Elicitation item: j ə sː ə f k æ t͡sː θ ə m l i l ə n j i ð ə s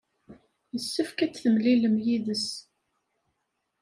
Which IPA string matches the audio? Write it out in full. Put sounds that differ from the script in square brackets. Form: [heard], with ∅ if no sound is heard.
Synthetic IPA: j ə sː ə f k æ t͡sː θ ə m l i l ə [m] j i ð ə s